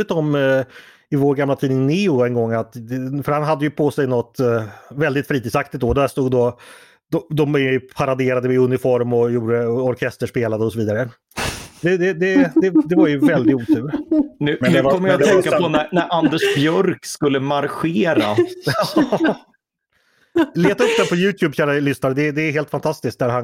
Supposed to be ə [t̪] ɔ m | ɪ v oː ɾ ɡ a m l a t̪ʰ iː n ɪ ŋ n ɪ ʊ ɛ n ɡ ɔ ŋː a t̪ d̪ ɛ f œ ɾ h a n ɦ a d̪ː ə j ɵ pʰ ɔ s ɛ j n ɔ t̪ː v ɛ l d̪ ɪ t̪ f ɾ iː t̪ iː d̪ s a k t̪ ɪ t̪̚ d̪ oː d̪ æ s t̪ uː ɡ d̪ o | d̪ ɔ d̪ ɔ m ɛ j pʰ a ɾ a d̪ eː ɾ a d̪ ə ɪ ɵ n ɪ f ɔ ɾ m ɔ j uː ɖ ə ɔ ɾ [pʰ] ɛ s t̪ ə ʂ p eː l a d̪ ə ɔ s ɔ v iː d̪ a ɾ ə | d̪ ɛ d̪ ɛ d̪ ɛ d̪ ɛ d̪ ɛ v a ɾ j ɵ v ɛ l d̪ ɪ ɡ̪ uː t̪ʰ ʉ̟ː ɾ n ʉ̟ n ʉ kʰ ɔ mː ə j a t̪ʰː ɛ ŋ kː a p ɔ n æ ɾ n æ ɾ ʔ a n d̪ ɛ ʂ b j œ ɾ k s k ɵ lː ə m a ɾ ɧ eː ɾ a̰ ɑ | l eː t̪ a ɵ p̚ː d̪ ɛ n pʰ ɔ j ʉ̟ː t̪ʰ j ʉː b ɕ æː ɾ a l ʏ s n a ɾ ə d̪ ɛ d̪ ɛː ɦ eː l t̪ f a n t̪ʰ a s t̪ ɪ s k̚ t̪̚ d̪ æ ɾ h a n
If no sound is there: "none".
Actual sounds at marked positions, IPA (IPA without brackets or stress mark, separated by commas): t̪, kʰ